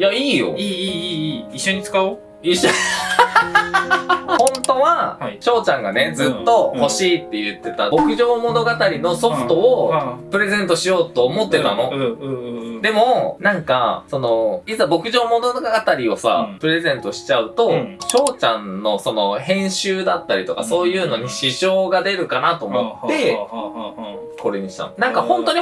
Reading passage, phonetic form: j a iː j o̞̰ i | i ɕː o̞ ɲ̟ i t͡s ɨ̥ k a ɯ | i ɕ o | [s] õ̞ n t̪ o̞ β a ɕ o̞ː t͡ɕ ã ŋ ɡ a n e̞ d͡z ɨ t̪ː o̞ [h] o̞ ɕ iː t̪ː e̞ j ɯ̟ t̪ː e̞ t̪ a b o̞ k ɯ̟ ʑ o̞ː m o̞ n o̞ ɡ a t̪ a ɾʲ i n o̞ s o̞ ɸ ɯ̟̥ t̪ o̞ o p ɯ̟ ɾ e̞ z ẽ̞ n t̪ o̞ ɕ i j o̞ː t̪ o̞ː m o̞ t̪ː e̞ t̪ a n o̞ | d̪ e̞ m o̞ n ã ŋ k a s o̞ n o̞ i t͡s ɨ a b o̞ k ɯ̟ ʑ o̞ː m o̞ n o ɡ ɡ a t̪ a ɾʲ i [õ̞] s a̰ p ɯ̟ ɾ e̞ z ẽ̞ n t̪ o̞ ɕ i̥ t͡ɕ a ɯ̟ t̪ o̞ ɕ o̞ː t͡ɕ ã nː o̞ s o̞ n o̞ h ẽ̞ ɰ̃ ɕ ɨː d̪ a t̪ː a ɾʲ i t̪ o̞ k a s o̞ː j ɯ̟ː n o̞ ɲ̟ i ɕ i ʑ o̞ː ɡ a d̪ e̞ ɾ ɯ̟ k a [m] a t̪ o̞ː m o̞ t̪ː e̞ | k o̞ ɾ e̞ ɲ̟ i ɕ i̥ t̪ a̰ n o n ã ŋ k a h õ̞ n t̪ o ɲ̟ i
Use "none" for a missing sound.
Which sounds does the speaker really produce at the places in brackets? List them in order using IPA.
h, h, o̞, n

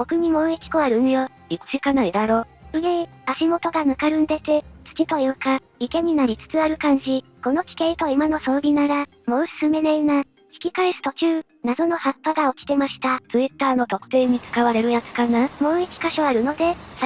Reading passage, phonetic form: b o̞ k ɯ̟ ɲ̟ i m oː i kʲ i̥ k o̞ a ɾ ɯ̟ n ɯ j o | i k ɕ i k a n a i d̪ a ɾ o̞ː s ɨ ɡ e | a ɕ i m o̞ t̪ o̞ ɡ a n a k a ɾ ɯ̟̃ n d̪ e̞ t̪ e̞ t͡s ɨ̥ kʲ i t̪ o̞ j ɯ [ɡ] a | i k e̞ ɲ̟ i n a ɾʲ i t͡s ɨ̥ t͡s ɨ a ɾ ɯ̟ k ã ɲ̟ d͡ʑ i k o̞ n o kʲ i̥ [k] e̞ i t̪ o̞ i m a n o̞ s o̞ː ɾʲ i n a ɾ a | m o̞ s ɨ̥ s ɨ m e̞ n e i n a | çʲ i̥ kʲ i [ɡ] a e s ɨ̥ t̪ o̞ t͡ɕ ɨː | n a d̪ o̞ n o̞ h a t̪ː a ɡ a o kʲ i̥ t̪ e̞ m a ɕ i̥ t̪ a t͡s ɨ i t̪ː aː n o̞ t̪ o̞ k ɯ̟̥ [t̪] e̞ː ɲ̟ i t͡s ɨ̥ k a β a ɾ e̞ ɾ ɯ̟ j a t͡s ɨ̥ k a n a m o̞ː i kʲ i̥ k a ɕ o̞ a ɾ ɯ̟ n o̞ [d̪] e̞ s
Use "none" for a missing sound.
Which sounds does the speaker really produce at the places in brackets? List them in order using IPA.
k, k, k, t̪, d̪

